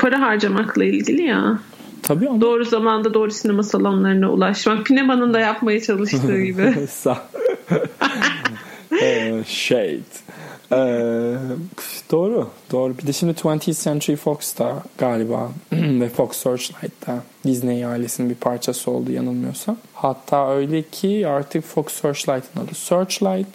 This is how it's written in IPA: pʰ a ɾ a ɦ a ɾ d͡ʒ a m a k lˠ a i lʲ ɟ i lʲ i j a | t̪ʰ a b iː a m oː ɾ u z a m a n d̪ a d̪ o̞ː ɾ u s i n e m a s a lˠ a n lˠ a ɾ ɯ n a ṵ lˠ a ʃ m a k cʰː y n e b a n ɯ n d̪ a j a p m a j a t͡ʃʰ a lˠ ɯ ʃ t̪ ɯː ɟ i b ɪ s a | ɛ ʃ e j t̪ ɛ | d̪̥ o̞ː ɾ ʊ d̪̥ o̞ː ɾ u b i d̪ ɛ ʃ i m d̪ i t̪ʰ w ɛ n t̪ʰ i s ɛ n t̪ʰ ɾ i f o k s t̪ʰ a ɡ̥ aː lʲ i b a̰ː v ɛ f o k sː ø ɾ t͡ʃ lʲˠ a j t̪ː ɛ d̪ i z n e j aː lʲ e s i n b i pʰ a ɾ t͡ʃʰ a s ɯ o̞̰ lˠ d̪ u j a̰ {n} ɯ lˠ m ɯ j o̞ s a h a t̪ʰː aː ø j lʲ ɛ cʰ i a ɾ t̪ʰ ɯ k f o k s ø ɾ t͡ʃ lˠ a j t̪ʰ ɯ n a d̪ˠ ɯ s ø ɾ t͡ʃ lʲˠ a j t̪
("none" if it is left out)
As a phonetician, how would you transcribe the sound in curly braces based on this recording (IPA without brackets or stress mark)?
n